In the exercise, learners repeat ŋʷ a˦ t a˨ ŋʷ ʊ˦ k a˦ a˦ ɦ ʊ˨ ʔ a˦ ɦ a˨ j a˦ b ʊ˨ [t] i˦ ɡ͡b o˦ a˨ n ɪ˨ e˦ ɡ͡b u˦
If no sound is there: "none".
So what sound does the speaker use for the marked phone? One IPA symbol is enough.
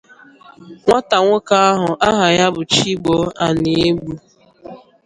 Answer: t͡ʃ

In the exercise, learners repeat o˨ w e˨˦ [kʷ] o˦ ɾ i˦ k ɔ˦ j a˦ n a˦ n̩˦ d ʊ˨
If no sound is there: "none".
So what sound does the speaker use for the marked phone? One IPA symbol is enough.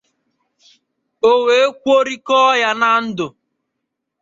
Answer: kʷ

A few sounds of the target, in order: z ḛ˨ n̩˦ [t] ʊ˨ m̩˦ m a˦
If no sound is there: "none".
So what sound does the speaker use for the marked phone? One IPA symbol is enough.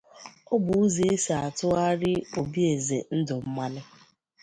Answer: d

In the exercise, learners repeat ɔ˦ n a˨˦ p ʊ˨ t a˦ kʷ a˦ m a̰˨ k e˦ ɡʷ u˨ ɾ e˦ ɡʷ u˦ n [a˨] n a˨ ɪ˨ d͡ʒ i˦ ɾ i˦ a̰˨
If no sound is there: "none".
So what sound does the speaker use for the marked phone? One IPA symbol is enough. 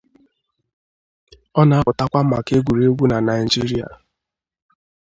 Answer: a˨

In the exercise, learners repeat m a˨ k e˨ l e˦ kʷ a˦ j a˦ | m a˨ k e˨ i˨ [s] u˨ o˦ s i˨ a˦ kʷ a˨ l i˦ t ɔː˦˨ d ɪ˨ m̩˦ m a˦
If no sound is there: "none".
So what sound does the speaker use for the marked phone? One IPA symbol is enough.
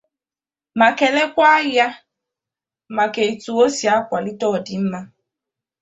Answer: t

